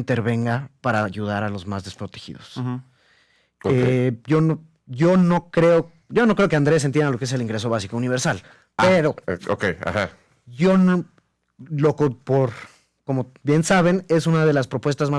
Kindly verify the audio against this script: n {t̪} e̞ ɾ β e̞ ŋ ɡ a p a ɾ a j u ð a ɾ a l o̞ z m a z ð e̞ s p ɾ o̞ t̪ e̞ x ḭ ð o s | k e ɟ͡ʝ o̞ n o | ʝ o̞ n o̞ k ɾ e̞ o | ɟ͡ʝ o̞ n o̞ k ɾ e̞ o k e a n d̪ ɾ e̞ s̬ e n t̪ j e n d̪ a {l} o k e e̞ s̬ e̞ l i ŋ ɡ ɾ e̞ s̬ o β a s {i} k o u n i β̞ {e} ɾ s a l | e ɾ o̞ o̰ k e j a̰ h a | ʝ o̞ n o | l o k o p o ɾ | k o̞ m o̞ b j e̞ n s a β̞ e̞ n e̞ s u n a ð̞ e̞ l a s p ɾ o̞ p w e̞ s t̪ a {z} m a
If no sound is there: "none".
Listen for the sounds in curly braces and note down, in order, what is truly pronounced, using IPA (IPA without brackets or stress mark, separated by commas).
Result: t̪, l, i, e, z